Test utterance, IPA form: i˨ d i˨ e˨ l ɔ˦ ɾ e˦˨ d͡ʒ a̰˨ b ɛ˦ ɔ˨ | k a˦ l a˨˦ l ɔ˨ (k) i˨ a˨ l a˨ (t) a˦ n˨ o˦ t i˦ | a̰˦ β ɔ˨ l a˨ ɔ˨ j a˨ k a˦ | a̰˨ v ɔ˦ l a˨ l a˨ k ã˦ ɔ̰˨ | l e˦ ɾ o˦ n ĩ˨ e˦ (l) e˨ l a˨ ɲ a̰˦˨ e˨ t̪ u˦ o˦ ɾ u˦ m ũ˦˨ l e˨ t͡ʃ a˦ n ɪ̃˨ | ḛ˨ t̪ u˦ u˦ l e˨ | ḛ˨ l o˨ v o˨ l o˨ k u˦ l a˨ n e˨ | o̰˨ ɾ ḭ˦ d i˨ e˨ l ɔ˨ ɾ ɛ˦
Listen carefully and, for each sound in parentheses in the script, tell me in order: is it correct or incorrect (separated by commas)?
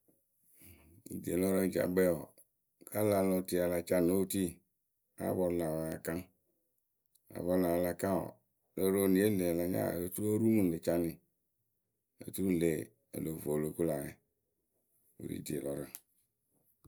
incorrect, incorrect, correct